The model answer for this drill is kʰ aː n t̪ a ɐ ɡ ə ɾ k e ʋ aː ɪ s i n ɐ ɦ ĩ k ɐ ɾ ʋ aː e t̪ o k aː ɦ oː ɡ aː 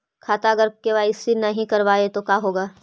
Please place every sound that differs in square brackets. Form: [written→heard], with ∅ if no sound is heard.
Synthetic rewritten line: kʰ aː [n→∅] t̪ a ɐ ɡ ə ɾ k e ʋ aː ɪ s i n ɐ ɦ ĩ k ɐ ɾ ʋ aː e t̪ o k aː ɦ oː ɡ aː